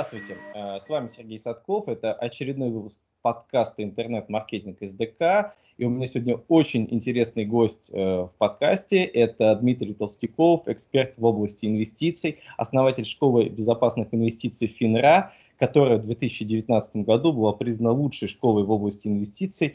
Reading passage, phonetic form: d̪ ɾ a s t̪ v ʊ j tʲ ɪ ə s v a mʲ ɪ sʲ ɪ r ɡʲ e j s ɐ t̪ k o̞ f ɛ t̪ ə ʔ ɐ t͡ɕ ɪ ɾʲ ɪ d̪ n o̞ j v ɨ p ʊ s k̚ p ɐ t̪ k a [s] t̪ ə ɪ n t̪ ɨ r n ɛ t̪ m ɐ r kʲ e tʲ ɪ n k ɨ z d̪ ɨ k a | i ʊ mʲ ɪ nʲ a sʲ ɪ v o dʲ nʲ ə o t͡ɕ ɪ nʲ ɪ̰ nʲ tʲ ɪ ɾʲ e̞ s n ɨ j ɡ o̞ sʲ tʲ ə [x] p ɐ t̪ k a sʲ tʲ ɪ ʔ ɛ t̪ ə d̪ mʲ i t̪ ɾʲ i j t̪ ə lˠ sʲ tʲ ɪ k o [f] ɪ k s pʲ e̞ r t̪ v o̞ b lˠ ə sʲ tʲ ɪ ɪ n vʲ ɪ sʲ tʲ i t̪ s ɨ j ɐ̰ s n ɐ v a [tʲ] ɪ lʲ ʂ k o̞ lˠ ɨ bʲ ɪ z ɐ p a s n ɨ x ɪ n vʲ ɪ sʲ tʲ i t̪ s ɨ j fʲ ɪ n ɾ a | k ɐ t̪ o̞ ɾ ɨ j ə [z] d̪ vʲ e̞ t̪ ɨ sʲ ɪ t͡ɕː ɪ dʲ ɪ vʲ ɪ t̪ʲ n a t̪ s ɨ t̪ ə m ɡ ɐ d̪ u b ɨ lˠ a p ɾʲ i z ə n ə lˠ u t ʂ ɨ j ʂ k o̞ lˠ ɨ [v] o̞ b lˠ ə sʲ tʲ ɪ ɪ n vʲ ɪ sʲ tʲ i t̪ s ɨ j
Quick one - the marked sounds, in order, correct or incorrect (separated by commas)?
correct, incorrect, correct, correct, incorrect, correct